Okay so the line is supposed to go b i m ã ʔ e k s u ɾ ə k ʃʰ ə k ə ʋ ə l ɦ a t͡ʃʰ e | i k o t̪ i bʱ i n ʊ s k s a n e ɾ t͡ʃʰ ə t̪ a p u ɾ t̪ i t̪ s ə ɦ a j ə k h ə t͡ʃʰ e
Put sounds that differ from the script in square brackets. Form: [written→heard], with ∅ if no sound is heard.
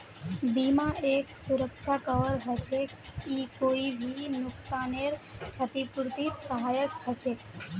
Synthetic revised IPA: b i m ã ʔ e k s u ɾ ə k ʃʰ [ə→a] k ə ʋ ə [l→ɾ] ɦ [a→ə] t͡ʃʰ e | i k o [t̪→∅] i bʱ i n ʊ [s→∅] k s a n e ɾ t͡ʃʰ ə t̪ [a→i] p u ɾ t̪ i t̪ s ə ɦ a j ə k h ə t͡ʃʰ e